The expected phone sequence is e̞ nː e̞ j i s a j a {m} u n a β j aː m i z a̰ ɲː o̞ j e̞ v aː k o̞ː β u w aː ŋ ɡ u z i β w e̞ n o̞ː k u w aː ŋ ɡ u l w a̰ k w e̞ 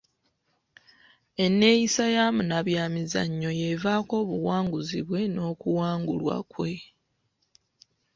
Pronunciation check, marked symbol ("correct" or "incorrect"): correct